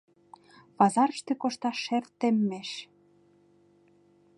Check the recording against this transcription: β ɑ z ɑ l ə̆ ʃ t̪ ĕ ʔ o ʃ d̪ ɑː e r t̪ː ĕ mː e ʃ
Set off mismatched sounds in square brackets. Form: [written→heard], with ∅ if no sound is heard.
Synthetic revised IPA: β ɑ z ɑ [l→ɾ] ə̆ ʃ t̪ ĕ [ʔ→k] o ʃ [d̪→t̪] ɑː e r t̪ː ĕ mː e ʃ